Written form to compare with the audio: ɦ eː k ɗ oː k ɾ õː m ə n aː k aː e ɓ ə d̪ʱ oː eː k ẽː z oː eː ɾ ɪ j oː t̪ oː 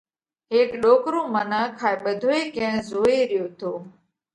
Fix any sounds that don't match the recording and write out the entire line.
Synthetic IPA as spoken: ɦ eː k ɗ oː k ɾ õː m ə n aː kʰ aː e ɓ ə d̪ʱ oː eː k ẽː z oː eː ɾ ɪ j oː t̪ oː